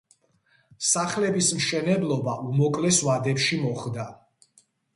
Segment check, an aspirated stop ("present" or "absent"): absent